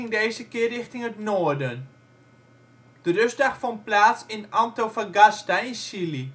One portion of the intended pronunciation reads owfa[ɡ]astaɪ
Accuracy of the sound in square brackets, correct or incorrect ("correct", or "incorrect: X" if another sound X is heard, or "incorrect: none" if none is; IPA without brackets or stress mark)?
correct